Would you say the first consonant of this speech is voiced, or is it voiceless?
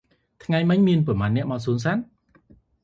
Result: voiceless